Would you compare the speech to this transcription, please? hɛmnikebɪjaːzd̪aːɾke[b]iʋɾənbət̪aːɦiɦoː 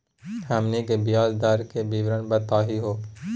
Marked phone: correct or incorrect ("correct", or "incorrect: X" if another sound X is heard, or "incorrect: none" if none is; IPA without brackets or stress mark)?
correct